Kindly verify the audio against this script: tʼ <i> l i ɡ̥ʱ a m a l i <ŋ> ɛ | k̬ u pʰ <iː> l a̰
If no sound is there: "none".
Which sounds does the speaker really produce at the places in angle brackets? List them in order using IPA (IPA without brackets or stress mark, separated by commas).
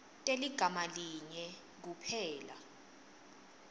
e, ɲ, ɛː